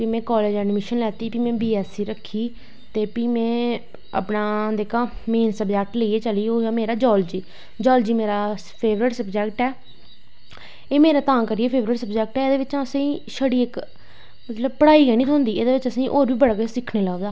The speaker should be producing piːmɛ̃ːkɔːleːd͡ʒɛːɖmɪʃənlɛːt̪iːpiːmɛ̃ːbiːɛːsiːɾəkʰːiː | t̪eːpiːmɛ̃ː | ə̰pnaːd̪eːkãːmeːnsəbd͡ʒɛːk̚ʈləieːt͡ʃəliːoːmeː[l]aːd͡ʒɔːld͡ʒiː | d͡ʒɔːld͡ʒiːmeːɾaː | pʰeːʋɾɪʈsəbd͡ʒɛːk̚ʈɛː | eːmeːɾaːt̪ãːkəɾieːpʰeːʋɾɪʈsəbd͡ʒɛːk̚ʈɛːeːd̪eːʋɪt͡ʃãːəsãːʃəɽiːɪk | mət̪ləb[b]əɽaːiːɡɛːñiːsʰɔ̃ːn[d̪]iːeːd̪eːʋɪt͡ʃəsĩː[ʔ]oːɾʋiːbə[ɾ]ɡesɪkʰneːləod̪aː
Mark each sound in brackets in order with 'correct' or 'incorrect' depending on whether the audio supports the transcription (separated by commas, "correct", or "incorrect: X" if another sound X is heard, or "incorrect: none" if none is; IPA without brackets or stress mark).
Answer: incorrect: ɾ, incorrect: p, correct, correct, incorrect: ɽ